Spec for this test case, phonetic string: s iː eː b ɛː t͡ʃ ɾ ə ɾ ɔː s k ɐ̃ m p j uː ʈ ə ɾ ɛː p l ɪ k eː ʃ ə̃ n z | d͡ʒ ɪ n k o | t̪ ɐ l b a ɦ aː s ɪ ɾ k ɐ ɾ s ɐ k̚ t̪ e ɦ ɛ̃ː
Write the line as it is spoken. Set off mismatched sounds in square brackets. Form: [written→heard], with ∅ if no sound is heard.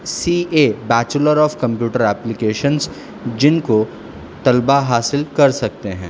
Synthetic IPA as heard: s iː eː b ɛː t͡ʃ [ɾ→l] ə ɾ ɔː [s→f] k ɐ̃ m p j uː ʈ ə ɾ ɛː p l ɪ k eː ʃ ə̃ n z | d͡ʒ ɪ n k o | t̪ ɐ l b a ɦ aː s ɪ [ɾ→l] k ɐ ɾ s ɐ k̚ t̪ e ɦ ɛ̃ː

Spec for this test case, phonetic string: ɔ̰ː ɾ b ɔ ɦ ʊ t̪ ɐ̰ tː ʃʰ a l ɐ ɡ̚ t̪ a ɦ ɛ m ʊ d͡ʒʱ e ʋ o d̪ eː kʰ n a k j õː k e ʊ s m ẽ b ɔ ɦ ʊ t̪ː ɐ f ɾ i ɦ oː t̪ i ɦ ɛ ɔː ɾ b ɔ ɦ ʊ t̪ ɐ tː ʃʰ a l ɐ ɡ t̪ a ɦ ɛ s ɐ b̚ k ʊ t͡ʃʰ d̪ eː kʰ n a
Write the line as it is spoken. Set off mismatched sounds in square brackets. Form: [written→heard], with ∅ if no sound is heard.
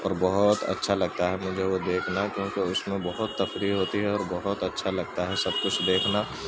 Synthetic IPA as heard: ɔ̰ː ɾ b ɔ ɦ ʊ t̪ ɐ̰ tː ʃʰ a l ɐ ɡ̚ t̪ a ɦ ɛ m ʊ d͡ʒʱ e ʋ o d̪ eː kʰ n a k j õː k e ʊ s m ẽ b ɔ ɦ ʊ t̪ː ɐ f ɾ i ɦ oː t̪ i ɦ ɛ ɔː ɾ b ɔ ɦ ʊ t̪ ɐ tː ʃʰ a l ɐ ɡ t̪ a ɦ ɛ s ɐ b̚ k ʊ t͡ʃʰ d̪ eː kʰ n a

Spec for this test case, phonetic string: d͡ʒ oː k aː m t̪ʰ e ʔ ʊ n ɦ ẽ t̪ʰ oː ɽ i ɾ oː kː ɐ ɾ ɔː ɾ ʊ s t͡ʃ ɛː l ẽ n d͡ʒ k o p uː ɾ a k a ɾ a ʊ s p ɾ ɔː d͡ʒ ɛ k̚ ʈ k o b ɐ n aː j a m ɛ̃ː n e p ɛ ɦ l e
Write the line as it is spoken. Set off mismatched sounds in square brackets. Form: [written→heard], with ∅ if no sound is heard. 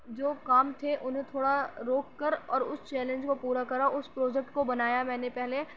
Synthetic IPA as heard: d͡ʒ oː k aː m t̪ʰ e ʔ ʊ n ɦ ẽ t̪ʰ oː ɽ [i→a] ɾ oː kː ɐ ɾ ɔː ɾ ʊ s t͡ʃ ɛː l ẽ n d͡ʒ k o p uː ɾ a k [a→ɐ] ɾ a ʊ s p ɾ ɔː d͡ʒ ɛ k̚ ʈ k o b ɐ n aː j a m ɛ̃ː n e p ɛ ɦ l e

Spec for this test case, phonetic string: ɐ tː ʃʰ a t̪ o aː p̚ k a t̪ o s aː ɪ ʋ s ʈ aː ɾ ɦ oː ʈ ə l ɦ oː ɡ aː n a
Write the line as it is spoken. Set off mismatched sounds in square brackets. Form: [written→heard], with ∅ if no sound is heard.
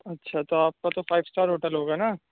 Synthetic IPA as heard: ɐ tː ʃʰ a t̪ o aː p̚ k a t̪ o [s→f] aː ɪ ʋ s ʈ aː ɾ ɦ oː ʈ ə l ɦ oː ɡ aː n a

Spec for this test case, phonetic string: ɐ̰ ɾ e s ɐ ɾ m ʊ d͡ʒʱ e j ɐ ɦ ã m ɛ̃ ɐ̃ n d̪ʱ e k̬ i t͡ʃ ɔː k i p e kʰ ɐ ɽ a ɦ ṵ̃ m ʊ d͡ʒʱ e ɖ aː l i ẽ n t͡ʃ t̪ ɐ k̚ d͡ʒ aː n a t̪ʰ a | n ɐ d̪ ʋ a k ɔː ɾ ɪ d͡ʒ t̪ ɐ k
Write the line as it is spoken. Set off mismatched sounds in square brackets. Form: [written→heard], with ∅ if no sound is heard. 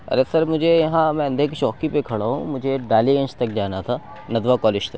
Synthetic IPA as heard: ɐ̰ ɾ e s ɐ ɾ m ʊ d͡ʒʱ e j ɐ ɦ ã m ɛ̃ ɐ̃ n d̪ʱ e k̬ i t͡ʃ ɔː k i p e kʰ ɐ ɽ a ɦ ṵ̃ m ʊ d͡ʒʱ e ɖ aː l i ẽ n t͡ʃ t̪ ɐ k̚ d͡ʒ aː n a t̪ʰ a | n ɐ d̪ ʋ a k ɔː [ɾ→l] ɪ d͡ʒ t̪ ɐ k

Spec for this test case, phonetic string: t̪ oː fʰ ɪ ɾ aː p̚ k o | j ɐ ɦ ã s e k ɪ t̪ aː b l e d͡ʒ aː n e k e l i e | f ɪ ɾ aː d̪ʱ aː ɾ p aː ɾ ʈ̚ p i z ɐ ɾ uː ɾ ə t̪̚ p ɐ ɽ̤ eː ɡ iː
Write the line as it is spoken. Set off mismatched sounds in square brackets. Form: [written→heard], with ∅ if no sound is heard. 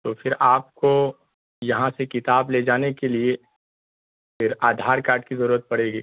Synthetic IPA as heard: t̪ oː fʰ ɪ ɾ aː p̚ k o | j ɐ ɦ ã s e k ɪ t̪ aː b l e d͡ʒ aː n e k e l i e | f ɪ ɾ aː d̪ʱ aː ɾ [p→k] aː ɾ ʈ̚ [p→k] i z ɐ ɾ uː ɾ ə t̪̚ p ɐ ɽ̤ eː ɡ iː

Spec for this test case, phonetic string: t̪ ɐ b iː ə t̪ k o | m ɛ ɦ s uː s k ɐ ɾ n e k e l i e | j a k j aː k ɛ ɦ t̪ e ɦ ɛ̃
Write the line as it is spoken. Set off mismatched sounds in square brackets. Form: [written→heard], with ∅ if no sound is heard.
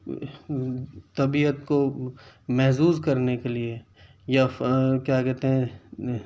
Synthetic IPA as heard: t̪ ɐ b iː ə t̪ k o | m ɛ ɦ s uː [s→z] k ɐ ɾ n e k e l i e | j a k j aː k ɛ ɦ t̪ e ɦ ɛ̃

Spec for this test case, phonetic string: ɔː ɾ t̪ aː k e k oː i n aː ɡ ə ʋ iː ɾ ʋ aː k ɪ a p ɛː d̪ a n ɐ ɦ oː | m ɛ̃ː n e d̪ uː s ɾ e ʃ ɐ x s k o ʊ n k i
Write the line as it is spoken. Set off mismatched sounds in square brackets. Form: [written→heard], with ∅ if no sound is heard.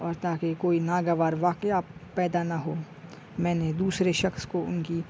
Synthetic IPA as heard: ɔː ɾ t̪ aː k e k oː i n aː ɡ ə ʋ [iː→aː] ɾ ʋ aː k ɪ a p ɛː d̪ a n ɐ ɦ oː | m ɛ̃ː n e d̪ uː s ɾ e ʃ ɐ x s k o ʊ n k i

